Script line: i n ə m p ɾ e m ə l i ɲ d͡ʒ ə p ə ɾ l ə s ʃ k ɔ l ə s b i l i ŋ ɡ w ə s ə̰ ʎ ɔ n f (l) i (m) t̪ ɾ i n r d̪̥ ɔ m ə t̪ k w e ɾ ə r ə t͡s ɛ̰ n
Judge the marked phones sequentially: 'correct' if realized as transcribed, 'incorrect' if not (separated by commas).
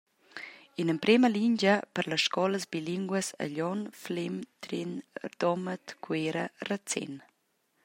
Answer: correct, correct